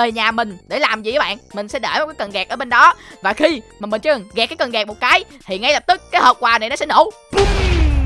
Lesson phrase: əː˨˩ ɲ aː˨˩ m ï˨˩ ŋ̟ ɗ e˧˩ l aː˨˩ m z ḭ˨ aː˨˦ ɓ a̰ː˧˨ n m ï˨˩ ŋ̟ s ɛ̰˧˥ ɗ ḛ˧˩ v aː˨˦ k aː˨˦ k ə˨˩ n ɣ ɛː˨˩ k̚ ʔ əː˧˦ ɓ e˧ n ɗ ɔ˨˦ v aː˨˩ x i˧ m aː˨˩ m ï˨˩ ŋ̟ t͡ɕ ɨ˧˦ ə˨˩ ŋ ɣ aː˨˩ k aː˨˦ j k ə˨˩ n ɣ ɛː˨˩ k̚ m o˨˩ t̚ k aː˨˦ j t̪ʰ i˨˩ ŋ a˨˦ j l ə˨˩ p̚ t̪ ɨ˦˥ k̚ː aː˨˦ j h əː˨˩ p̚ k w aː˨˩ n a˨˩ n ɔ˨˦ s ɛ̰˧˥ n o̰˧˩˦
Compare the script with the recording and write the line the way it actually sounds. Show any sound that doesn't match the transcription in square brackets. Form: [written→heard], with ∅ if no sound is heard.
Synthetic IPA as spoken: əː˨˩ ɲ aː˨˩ m ï˨˩ ŋ̟ ɗ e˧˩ l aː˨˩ m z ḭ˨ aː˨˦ ɓ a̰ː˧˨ n m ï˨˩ ŋ̟ s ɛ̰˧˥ ɗ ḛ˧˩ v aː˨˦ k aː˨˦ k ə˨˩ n ɣ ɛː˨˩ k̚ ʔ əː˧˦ ɓ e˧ n ɗ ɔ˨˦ v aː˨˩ x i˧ m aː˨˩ m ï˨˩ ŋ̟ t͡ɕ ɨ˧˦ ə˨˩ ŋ ɣ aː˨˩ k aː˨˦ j k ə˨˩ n ɣ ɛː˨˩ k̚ m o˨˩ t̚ k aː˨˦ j t̪ʰ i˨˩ ŋ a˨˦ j l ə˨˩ p̚ t̪ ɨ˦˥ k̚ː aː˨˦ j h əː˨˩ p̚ k w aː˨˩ n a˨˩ n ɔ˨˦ s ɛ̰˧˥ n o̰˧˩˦

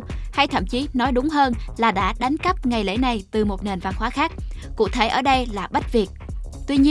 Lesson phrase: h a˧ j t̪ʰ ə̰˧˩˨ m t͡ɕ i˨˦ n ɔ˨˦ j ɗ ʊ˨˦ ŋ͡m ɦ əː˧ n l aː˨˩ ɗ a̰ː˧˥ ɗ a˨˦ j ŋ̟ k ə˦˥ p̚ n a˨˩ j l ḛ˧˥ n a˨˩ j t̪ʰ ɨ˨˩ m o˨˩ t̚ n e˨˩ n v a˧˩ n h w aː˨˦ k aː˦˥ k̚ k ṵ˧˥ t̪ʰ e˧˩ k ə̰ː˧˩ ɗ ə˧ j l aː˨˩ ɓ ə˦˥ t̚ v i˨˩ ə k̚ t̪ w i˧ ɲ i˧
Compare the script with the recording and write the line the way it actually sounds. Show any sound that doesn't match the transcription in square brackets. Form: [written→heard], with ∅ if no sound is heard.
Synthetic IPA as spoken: h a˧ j t̪ʰ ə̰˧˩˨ m t͡ɕ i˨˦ n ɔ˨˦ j ɗ ʊ˨˦ ŋ͡m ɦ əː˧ n l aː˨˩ ɗ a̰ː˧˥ ɗ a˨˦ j ŋ̟ k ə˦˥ p̚ [n→ŋ] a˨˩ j l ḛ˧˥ n a˨˩ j [t̪ʰ→t̪] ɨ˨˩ m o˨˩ t̚ n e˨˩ n v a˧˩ n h w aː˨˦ [k→x] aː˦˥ k̚ k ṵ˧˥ t̪ʰ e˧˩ [k→ʔ] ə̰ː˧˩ ɗ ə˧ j l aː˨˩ ɓ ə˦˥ t̚ v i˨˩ ə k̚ t̪ w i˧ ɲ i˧

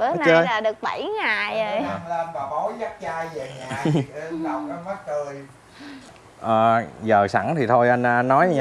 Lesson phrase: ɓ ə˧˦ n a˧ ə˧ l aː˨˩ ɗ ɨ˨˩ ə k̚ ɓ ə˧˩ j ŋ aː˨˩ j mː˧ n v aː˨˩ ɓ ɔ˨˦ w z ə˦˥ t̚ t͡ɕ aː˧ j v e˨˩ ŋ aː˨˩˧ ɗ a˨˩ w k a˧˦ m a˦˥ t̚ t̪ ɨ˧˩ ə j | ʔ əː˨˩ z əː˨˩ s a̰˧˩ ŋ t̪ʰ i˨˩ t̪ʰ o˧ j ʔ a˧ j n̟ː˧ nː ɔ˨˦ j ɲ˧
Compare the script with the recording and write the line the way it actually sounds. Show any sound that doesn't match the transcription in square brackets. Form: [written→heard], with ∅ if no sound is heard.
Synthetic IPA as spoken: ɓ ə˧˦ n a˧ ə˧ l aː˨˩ ɗ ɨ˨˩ ə k̚ ɓ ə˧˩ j ŋ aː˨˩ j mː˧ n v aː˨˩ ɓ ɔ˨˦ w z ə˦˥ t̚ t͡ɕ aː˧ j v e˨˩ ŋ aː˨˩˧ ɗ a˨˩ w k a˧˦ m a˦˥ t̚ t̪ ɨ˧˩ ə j | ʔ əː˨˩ z əː˨˩ s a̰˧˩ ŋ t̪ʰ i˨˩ t̪ʰ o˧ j ʔ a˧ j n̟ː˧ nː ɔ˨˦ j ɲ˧

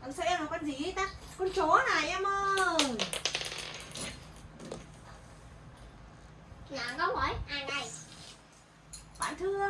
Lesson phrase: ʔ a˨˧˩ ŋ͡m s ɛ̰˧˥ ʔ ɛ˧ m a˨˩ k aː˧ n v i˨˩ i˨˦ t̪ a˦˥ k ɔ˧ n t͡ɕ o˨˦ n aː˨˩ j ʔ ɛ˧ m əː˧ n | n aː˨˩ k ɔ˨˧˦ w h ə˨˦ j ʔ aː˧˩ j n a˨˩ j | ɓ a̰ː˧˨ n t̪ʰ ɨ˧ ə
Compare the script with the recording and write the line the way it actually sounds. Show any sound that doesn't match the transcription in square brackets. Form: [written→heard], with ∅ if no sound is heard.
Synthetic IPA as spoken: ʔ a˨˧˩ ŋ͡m s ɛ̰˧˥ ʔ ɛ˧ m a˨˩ k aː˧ n [v→z] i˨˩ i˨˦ t̪ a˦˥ k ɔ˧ n t͡ɕ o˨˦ n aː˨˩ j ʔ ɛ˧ m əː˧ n | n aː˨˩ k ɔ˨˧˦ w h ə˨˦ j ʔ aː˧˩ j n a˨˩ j | ɓ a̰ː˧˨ n t̪ʰ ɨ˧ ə

